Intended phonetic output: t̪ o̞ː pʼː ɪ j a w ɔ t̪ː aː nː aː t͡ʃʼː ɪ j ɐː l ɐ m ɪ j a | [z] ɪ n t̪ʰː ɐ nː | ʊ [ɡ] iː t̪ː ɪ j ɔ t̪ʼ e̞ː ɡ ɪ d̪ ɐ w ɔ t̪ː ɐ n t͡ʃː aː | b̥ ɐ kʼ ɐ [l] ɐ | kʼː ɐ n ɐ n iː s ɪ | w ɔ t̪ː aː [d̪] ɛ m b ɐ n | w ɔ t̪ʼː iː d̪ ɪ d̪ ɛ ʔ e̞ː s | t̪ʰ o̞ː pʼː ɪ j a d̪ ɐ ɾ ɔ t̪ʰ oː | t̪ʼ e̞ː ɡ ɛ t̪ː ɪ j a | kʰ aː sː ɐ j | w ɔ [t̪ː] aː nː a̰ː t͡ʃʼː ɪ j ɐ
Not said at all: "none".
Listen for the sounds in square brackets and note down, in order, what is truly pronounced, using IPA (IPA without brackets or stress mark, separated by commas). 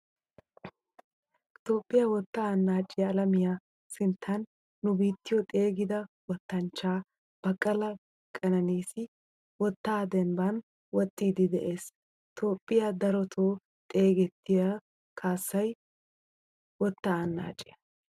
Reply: s, b, l, d̪, t̪ː